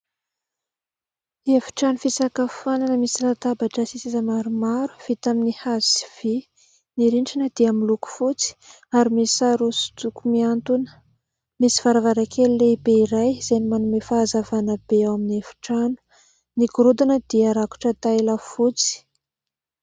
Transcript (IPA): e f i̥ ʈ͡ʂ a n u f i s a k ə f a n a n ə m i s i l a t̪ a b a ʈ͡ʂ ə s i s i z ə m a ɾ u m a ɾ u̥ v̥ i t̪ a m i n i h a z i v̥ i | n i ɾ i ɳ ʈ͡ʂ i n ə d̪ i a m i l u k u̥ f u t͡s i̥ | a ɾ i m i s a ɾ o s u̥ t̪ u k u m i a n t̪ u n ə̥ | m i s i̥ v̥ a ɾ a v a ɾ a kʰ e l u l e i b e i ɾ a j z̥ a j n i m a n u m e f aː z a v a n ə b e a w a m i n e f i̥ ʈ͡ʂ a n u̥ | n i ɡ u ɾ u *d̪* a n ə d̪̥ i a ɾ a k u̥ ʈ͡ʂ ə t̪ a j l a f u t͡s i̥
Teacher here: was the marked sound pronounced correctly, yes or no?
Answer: yes